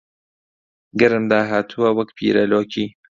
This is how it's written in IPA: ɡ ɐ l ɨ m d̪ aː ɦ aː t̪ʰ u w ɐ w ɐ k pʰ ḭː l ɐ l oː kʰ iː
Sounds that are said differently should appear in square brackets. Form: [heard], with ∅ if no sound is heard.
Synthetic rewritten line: ɡ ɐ [ɾ] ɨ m d̪ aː ɦ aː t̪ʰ u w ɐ w ɐ k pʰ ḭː [ɾ] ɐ l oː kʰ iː